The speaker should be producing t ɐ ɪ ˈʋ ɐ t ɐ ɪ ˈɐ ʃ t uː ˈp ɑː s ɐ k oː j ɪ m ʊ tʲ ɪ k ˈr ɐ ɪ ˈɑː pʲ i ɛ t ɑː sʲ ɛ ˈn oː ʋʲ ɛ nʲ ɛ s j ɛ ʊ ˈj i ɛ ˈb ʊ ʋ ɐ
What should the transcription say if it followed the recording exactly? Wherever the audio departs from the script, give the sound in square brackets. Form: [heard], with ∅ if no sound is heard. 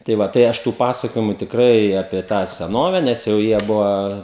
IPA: t ɐ ɪ ˈʋ ɐ t ɐ ɪ ˈɐ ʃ t uː ˈp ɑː s ɐ k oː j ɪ m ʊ tʲ ɪ k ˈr ɐ ɪ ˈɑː pʲ i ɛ t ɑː sʲ ɛ ˈn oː ʋʲ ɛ nʲ ɛ s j ɛ ʊ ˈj i ɛ ˈb ʊ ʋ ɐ